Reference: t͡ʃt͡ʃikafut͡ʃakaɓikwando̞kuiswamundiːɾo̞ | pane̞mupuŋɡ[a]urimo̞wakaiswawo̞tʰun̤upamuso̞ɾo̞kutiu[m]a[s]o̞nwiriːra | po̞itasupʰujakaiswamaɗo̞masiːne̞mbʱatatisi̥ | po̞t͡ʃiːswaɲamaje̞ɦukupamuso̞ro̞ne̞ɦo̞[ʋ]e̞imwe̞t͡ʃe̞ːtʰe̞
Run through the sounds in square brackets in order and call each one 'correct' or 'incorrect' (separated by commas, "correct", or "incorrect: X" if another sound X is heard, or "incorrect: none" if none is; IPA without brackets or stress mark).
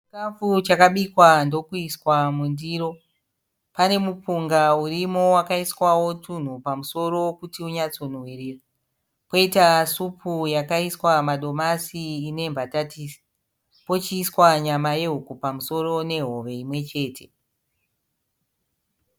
correct, incorrect: ɲ, incorrect: t͡s, correct